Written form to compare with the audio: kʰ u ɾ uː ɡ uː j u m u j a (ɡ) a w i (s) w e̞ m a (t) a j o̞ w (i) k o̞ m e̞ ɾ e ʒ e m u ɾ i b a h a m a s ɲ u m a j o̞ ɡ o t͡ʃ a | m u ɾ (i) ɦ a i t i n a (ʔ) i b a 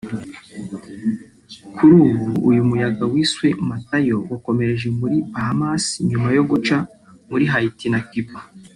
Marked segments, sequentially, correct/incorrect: correct, correct, correct, incorrect, correct, incorrect

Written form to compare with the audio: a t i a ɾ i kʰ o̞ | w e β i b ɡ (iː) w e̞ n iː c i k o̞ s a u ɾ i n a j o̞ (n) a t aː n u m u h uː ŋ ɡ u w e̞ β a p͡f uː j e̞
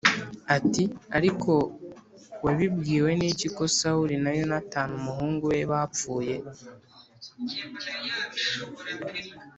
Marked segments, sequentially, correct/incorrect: correct, correct

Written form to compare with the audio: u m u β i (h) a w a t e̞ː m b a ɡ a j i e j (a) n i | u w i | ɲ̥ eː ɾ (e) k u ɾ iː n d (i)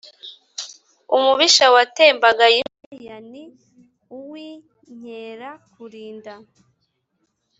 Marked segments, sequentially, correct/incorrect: incorrect, correct, incorrect, incorrect

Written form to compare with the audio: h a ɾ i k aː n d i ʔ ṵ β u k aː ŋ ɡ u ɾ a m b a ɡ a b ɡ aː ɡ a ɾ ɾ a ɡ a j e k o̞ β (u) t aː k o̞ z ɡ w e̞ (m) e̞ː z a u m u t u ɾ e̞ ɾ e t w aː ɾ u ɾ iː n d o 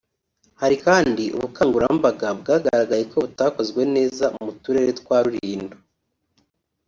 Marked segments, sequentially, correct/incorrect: correct, incorrect

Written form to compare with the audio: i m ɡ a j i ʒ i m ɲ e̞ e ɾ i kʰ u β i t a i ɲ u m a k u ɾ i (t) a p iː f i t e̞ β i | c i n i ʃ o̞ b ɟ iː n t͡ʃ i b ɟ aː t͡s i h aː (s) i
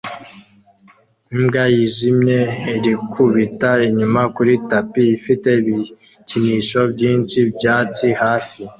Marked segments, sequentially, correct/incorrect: correct, incorrect

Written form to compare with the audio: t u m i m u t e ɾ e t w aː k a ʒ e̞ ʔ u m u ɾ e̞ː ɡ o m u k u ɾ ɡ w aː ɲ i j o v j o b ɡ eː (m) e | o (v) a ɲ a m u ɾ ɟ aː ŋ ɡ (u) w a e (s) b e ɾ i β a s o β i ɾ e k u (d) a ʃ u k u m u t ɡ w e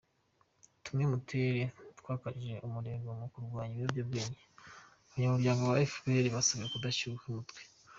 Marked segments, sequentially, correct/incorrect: incorrect, incorrect, incorrect, incorrect, correct

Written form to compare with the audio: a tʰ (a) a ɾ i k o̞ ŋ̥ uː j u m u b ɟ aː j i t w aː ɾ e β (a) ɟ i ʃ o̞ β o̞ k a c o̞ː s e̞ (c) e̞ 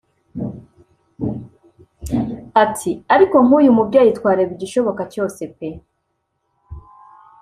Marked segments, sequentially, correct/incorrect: incorrect, incorrect, incorrect

